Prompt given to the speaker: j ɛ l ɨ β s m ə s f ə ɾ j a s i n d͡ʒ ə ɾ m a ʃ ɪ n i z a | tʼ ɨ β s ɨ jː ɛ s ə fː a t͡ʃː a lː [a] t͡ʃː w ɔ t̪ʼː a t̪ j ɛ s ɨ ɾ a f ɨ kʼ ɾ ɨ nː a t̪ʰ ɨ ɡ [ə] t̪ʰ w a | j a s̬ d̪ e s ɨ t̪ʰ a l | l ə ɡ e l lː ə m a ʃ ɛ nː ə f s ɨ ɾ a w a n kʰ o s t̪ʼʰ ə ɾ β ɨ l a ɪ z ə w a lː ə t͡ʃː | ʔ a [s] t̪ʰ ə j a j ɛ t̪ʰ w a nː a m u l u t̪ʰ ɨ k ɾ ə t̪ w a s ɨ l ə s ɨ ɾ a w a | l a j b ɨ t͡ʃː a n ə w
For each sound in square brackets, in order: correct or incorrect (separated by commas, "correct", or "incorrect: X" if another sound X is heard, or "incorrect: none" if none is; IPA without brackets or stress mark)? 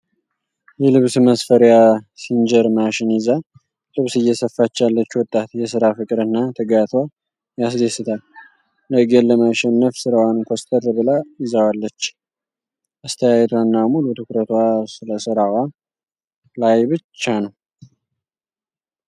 incorrect: ə, incorrect: a, correct